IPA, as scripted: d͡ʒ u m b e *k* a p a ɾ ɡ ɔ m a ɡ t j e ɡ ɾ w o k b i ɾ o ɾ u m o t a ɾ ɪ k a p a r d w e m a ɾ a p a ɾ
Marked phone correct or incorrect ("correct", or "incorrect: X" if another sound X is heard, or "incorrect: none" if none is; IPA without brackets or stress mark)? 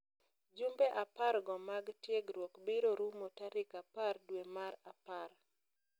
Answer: incorrect: ʔ